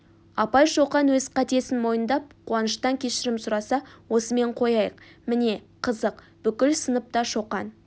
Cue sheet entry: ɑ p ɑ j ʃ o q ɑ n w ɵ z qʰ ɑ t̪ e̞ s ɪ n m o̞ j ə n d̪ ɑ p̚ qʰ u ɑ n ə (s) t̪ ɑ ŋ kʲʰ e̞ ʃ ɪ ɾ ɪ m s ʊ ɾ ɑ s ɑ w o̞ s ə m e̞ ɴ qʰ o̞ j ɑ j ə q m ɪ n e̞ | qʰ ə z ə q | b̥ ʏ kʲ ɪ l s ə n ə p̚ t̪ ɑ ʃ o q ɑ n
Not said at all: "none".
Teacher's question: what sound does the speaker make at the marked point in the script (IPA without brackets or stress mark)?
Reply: ʃ